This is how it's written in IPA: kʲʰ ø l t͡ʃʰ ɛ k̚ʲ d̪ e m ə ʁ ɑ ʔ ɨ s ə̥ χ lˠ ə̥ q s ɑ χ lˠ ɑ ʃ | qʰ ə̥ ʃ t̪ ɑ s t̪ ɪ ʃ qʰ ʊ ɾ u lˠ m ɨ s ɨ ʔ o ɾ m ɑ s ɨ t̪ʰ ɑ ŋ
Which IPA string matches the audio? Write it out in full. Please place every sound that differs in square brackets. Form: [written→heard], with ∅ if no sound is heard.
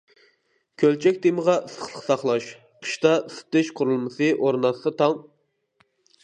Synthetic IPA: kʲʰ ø l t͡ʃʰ ɛ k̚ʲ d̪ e m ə ʁ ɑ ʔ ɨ s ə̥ χ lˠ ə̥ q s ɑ χ lˠ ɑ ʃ | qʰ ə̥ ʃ t̪ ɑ s t̪ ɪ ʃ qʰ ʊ ɾ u lˠ m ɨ s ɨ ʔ o ɾ [m→n] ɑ s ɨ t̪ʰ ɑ ŋ